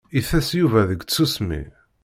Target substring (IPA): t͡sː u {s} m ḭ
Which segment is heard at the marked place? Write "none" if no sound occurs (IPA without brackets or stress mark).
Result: s